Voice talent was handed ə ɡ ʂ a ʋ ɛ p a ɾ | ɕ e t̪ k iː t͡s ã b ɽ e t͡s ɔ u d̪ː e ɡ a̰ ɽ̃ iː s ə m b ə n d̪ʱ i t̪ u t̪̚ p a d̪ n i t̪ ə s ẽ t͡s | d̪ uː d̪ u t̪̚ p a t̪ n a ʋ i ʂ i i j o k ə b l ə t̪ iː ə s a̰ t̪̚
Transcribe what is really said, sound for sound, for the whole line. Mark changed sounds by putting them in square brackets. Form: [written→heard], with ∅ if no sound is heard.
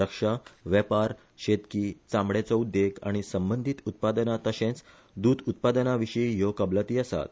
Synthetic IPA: ə [ɡ→k] ʂ a ʋ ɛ p a ɾ | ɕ e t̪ k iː t͡s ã [b→m] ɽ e t͡s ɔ u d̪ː e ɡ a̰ ɽ̃ [iː→i] s ə m b ə n d̪ʱ i t̪ u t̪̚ p a d̪ n [i→a] t̪ ə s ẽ t͡s | d̪ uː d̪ u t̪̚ p a [t̪→d̪] n a ʋ i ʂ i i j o k ə b l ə t̪ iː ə s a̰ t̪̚